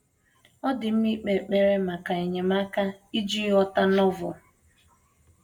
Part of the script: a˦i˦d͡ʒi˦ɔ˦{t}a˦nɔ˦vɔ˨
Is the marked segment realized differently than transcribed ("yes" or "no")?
no